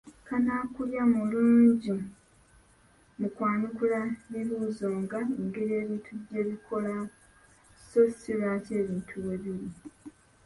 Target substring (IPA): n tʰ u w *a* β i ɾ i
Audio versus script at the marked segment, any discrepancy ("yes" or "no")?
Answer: yes